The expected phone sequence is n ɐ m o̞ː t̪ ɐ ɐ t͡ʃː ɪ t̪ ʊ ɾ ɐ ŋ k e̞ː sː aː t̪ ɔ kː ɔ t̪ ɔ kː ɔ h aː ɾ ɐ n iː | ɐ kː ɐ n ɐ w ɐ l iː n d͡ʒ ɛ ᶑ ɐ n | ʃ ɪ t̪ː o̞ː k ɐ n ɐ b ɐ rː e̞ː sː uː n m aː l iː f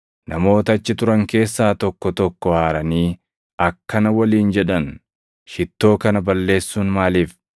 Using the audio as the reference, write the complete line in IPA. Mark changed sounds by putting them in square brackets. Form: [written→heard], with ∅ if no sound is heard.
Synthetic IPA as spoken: n ɐ m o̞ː t̪ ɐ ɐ t͡ʃː ɪ t̪ ʊ ɾ ɐ ŋ k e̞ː sː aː t̪ ɔ kː ɔ t̪ ɔ kː ɔ h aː ɾ ɐ n iː | ɐ kː ɐ n ɐ w ɐ l iː n d͡ʒ ɛ ᶑ ɐ n | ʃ ɪ t̪ː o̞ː k ɐ n ɐ b ɐ [rː→lː] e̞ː sː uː n m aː l iː f